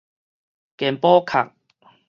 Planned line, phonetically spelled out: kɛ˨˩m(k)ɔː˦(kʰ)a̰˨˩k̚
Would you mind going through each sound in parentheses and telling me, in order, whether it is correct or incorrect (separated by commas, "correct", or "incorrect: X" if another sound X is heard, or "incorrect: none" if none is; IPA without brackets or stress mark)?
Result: incorrect: p, correct